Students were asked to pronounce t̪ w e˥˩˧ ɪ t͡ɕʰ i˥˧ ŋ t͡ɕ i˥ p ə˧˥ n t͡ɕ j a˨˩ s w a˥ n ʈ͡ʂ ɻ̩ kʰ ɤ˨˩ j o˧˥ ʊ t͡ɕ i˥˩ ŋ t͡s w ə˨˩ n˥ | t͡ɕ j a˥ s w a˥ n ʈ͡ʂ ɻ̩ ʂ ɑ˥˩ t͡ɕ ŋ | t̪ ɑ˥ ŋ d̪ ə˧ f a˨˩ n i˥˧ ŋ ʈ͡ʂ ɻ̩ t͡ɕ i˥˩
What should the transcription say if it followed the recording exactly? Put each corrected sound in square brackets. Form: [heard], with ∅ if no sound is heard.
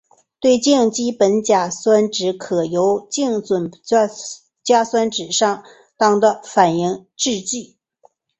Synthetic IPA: t̪ w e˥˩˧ ɪ [t͡ɕ] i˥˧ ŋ t͡ɕ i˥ p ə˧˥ n t͡ɕ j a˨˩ s w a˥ n ʈ͡ʂ ɻ̩ kʰ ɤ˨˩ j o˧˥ ʊ t͡ɕ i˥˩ ŋ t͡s w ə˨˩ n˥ | t͡ɕ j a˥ s w a˥ n ʈ͡ʂ ɻ̩ ʂ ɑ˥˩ [∅] ŋ | t̪ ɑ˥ ŋ d̪ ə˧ f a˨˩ n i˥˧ ŋ ʈ͡ʂ ɻ̩ t͡ɕ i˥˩